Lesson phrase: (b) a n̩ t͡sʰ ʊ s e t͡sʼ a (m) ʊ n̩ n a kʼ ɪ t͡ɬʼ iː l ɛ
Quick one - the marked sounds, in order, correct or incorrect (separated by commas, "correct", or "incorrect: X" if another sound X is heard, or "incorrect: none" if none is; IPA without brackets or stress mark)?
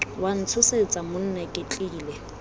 incorrect: w, correct